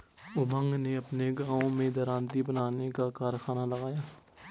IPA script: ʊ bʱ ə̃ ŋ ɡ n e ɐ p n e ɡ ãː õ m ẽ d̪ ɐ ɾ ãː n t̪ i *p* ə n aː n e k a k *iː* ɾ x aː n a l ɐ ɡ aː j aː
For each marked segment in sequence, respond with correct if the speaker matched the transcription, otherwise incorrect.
incorrect: b, incorrect: aː

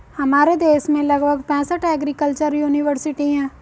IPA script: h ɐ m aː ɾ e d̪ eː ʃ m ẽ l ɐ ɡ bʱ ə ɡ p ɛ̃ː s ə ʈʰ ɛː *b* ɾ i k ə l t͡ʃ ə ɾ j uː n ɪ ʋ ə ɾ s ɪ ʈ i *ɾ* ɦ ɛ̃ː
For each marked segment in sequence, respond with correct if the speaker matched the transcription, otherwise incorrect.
incorrect: ɡ, incorrect: none

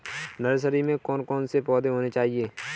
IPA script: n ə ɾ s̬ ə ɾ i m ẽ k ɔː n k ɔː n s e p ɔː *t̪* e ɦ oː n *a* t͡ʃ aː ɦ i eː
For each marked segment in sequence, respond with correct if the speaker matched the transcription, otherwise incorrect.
incorrect: d̪, incorrect: e

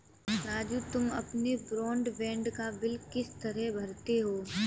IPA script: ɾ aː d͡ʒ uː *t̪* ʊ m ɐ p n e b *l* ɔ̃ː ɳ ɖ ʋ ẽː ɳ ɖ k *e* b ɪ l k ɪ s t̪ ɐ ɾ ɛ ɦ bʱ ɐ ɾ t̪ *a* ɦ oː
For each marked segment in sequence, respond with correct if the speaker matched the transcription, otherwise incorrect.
correct, incorrect: ɾ, incorrect: a, incorrect: e

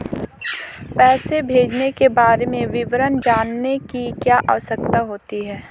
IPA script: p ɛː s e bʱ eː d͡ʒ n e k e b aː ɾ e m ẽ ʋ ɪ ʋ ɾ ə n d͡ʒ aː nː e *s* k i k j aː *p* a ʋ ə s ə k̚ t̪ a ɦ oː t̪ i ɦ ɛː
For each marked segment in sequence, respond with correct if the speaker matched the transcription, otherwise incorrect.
incorrect: none, incorrect: ʔ

